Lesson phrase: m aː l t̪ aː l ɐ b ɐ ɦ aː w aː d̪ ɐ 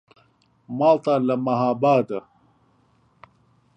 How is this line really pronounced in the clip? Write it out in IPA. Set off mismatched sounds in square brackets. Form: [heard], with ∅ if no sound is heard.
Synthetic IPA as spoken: m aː l t̪ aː l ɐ [m] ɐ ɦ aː [b] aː d̪ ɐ